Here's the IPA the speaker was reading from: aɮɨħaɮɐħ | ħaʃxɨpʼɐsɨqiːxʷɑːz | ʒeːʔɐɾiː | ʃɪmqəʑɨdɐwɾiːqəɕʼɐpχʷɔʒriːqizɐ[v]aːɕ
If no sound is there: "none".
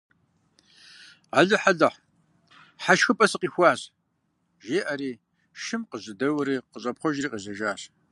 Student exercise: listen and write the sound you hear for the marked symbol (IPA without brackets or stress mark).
ʒ